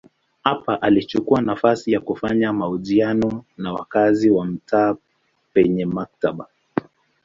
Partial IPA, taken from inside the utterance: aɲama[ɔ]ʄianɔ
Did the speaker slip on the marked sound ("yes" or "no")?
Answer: yes